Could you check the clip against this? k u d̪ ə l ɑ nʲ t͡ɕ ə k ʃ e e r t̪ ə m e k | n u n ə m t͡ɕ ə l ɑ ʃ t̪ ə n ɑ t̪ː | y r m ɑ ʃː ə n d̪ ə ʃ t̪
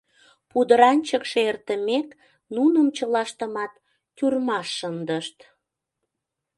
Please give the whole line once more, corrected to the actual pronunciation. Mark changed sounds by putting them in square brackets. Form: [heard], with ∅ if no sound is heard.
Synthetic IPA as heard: [p] u d̪ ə [ɾ] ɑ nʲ t͡ɕ ə k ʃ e e r t̪ ə m e k | n u n ə m t͡ɕ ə l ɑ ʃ t̪ ə [m] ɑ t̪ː | y r m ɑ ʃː ə n d̪ ə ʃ t̪